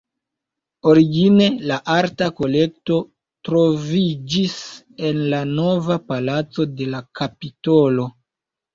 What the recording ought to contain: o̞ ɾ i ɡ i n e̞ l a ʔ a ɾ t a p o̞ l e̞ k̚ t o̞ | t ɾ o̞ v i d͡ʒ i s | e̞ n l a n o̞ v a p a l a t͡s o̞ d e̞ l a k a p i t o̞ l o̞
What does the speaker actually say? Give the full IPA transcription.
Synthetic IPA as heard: o̞ ɾ i ɡ i n e̞ l a ʔ a ɾ t a k o̞ l e̞ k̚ t o̞ | t ɾ o̞ v i d͡ʒ i s | e̞ n l a n o̞ v a p a l a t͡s o̞ d e̞ l a k a p i t o̞ l o̞